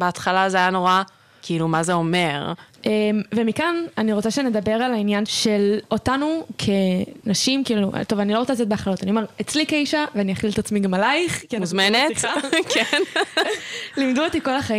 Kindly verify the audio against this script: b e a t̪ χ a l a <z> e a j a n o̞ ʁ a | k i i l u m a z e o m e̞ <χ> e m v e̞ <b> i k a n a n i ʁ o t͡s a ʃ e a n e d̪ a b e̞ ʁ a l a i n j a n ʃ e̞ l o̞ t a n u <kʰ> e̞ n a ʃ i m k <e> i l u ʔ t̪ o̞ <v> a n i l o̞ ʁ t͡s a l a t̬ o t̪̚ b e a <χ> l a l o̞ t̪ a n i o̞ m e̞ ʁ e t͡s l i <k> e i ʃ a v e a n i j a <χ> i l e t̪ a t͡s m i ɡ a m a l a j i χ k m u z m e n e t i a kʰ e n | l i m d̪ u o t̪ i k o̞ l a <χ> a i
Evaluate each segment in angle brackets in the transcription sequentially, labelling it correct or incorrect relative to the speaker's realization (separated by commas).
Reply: correct, incorrect, incorrect, correct, incorrect, correct, correct, correct, correct, correct